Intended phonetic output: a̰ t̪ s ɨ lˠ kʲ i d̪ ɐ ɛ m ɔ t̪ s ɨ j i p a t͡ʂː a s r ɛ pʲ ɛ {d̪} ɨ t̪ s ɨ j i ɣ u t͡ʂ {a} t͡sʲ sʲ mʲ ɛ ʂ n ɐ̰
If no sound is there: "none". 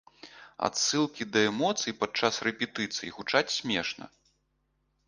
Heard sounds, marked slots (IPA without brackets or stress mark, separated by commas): t̪, a